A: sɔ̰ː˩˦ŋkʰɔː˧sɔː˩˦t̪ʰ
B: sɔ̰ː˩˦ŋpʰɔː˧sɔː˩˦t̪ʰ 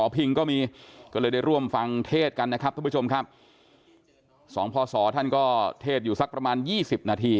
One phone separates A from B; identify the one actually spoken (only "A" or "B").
B